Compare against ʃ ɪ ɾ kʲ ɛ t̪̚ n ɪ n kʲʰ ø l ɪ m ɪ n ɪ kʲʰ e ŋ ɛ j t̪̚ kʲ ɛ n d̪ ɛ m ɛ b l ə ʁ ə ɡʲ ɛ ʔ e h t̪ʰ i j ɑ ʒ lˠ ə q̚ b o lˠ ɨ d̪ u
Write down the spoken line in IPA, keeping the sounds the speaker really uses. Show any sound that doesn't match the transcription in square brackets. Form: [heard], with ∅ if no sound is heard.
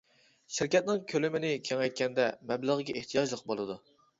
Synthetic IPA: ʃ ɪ ɾ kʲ ɛ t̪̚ n ɪ [ŋ] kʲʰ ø l ɪ m ɪ n ɪ kʲʰ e ŋ ɛ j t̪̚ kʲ ɛ n d̪ ɛ m ɛ b l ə ʁ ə ɡʲ ɛ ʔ e h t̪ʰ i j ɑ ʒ lˠ ə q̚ b o lˠ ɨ d̪ u